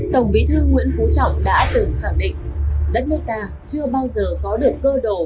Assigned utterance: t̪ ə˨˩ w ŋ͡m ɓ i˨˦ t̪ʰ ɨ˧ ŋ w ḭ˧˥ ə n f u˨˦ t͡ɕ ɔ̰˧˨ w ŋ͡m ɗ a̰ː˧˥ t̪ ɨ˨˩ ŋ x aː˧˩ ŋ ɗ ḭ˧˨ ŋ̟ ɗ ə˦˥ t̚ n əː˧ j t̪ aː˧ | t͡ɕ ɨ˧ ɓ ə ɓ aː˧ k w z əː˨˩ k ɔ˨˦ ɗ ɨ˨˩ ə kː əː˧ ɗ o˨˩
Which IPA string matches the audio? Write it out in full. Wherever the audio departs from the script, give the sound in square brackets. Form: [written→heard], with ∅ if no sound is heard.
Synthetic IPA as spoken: t̪ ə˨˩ w ŋ͡m ɓ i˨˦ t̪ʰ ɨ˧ ŋ w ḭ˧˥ ə n f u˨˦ t͡ɕ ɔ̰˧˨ w ŋ͡m ɗ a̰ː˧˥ t̪ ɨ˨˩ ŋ x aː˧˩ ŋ ɗ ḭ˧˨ ŋ̟ ɗ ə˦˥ t̚ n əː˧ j t̪ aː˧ | t͡ɕ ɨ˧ [ɓ→∅] ə ɓ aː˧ [k→∅] w z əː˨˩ k ɔ˨˦ ɗ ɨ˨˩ ə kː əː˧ ɗ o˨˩